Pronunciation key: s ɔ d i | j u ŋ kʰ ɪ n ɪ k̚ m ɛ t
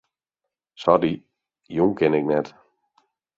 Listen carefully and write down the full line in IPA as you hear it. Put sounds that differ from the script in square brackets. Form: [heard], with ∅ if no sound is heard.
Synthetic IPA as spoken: s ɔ d i | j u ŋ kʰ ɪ n ɪ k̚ [n] ɛ t